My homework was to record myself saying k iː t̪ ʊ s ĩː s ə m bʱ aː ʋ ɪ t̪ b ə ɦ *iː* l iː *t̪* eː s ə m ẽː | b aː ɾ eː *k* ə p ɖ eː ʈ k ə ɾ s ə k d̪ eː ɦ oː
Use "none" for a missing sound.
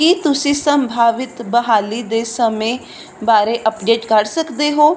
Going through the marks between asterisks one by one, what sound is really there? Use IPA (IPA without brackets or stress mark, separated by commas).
aː, d̪, ʔ